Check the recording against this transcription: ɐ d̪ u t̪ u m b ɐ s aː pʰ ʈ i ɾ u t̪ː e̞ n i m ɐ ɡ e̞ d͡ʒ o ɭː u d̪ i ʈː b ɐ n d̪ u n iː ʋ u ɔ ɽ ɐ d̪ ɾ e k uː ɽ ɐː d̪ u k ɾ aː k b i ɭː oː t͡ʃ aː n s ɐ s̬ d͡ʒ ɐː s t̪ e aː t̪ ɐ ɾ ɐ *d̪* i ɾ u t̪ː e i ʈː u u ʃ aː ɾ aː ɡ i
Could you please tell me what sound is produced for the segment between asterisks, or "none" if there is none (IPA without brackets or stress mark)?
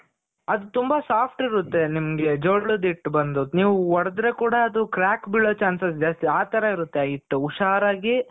none